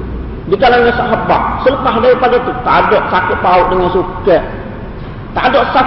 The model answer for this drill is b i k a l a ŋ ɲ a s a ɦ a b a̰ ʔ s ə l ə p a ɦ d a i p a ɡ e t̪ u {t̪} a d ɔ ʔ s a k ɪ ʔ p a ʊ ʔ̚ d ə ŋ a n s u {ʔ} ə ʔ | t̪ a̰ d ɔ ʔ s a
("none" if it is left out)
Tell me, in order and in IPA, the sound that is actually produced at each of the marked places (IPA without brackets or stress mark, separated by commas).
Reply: t̪, k